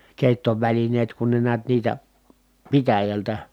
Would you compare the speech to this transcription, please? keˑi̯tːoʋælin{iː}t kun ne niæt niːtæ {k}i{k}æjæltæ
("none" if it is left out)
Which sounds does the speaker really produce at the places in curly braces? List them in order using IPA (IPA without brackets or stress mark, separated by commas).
eː, p, t